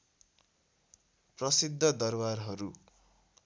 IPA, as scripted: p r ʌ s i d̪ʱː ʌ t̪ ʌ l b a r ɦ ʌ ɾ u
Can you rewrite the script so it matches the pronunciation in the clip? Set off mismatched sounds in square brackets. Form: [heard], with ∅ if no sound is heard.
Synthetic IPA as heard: p r ʌ s i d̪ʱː ʌ [d̪] ʌ [r] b a r ɦ ʌ ɾ u